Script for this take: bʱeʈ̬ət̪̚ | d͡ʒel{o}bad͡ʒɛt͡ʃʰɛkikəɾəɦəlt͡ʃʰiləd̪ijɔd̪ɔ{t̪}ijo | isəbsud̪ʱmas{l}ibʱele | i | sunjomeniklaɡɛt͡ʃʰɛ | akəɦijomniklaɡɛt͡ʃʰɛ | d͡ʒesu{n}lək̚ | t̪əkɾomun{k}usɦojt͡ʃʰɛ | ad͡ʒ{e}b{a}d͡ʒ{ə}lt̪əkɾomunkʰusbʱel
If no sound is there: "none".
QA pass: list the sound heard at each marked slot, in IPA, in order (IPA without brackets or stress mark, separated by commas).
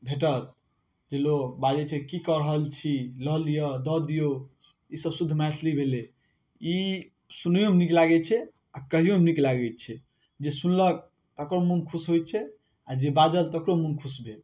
o, d̪, l, n, kʰ, e, a, ə